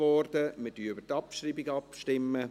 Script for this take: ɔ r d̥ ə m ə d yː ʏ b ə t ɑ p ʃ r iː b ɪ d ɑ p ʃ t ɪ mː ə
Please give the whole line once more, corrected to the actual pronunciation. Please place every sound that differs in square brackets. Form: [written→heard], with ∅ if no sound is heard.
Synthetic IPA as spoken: ɔ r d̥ ə m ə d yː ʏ b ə t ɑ p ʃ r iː b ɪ [d→ɡ] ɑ p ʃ t ɪ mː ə